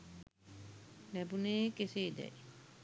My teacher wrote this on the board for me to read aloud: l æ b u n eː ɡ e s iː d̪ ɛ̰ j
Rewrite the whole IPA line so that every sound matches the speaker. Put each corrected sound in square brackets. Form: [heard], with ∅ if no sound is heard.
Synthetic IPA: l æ b u n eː [k] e s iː d̪ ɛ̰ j